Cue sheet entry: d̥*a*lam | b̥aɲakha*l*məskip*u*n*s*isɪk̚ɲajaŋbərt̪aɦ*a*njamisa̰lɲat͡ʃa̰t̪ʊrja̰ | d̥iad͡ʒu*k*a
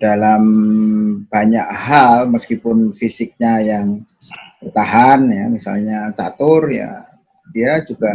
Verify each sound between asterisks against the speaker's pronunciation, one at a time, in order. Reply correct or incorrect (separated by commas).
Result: correct, correct, incorrect, incorrect, correct, incorrect